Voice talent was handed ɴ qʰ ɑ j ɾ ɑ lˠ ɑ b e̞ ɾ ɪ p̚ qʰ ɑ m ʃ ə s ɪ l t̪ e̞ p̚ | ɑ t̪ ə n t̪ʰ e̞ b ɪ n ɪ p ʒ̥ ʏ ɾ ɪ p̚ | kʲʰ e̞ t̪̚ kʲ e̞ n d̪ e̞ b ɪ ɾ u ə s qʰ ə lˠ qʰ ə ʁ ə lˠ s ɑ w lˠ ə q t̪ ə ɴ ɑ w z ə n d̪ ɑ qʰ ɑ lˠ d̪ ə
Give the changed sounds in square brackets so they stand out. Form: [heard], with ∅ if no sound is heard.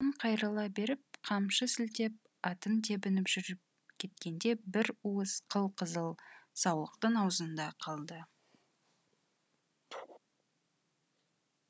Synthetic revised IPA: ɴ qʰ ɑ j ɾ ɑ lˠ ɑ b e̞ ɾ ɪ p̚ qʰ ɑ m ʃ ə s ɪ l t̪ e̞ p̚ | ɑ t̪ ə n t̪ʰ e̞ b ɪ n ɪ p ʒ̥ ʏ ɾ ɪ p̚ | kʲʰ e̞ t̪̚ kʲ e̞ n d̪ e̞ b ɪ ɾ u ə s qʰ ə lˠ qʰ ə [z] ə lˠ s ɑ w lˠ ə q t̪ ə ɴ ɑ w z ə n d̪ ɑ qʰ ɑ lˠ d̪ ə